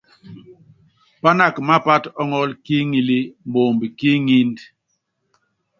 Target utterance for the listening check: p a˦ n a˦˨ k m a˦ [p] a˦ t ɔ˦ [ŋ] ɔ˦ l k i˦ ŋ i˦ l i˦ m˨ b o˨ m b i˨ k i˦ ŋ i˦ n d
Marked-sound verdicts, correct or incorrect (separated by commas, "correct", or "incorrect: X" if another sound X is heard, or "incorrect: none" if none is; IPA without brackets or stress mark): correct, correct